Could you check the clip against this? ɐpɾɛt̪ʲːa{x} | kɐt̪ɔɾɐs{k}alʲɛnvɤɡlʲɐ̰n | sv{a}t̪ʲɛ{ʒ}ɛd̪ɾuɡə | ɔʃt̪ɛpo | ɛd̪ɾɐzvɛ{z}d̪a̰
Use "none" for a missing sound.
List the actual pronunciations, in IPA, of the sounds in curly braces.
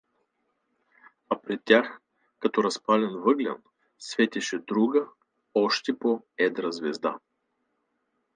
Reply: x, p, ɛ, ʃ, z

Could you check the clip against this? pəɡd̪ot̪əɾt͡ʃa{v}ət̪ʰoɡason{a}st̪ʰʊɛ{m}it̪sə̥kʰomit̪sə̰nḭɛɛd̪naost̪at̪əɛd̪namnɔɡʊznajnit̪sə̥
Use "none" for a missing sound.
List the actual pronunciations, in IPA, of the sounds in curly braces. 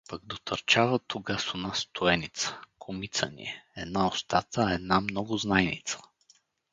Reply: v, a, n

